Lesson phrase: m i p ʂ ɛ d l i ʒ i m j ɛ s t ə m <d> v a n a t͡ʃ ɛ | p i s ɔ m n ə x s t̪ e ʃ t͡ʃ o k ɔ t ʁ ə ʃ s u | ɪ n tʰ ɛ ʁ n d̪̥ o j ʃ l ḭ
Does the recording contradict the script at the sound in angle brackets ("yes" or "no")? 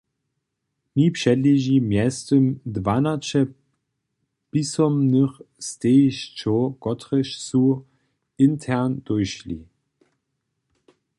no